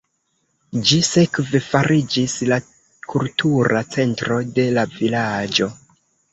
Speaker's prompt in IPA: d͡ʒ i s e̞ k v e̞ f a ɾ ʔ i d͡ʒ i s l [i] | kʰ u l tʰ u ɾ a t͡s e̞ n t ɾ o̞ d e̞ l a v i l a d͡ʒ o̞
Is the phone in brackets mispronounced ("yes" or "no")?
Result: yes